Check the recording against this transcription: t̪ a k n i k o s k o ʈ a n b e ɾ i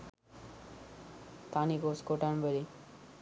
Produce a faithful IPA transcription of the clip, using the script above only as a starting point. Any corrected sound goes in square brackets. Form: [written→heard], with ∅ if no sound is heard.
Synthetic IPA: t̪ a [k→∅] n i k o s k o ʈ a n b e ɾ i